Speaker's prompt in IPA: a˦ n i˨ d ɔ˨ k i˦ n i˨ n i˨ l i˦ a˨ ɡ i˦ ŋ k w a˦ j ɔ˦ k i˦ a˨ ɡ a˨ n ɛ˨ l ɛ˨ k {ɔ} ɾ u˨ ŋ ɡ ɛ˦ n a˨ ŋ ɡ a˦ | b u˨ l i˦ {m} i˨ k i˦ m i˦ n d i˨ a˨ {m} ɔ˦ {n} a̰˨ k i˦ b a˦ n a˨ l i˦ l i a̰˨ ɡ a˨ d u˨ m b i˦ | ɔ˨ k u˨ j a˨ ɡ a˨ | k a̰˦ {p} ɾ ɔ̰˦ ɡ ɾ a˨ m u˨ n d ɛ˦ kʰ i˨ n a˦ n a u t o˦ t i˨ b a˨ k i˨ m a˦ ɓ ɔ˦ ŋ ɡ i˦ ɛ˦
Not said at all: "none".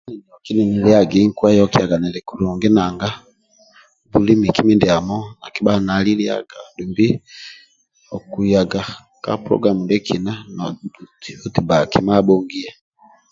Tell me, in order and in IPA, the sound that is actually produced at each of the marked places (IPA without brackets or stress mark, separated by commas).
u, m, m, n, p